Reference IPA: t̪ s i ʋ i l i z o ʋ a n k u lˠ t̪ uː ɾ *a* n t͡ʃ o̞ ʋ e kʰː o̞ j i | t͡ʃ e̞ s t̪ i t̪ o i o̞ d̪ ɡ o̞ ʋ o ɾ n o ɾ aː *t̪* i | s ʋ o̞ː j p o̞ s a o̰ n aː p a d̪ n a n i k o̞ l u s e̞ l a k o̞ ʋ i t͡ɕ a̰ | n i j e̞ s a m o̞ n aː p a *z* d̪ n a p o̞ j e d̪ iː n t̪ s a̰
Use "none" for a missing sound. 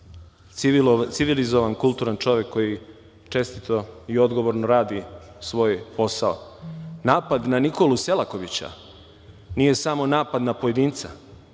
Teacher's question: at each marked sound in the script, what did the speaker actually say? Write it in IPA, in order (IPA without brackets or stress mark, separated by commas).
a, d̪, none